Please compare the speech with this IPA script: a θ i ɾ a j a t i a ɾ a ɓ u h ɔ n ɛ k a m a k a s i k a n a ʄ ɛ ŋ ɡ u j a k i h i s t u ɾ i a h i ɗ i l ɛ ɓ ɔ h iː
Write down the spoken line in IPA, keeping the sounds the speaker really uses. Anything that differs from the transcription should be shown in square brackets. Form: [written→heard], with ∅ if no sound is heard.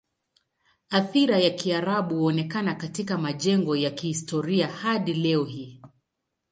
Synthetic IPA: a θ i ɾ a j a [t→k] i a ɾ a ɓ u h ɔ n ɛ k a [m→n] a k a [s→t] i k a [n→m] a ʄ ɛ ŋ ɡ [u→ɔ] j a k i h i s t [u→ɔ] ɾ i a h [i→a] ɗ i l ɛ [ɓ→∅] ɔ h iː